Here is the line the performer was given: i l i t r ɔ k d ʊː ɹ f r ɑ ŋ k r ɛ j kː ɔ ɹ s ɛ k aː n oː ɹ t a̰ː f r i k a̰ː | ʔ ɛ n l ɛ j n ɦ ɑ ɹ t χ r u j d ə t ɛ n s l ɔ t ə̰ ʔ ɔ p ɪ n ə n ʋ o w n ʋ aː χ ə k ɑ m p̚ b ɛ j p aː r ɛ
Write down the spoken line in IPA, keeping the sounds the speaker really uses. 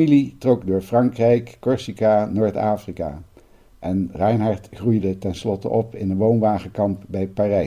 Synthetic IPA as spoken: i l i t r ɔ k d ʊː ɹ f r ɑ ŋ k r ɛ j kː ɔ ɹ s i k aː n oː ɹ t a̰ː f r i k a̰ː | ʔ ɛ n r ɛ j n ɦ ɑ ɹ t χ r u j d ə t ɛ n s l ɔ t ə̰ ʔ ɔ p ɪ n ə n ʋ o w n ʋ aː χ ə k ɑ m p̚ b ɛ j p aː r ɛ